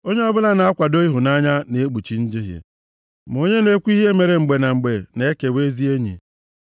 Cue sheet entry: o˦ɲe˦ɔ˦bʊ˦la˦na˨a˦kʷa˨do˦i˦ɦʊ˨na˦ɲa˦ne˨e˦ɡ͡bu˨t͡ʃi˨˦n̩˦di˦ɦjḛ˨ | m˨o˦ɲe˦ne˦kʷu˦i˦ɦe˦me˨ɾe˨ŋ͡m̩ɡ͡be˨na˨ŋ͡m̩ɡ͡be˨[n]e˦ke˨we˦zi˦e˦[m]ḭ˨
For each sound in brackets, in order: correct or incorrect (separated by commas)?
correct, incorrect